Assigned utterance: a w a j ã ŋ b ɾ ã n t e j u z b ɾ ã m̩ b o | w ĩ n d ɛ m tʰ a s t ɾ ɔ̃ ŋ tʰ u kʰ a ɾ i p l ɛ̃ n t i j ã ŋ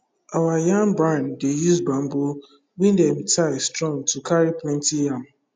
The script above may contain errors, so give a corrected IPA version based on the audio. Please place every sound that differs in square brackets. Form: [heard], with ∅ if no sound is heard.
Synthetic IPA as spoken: a w a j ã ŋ b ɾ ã n [d] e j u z b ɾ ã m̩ b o | w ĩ n d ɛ m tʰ a s t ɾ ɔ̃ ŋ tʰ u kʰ a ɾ i p l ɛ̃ n t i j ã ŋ